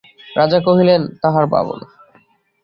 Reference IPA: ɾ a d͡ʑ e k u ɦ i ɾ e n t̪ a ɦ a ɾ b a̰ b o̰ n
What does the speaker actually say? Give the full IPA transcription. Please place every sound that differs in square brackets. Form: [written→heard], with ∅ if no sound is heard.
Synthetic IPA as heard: ɾ a d͡ʑ [e→a] k [u→o] ɦ i [ɾ→l] e n t̪ a ɦ a ɾ b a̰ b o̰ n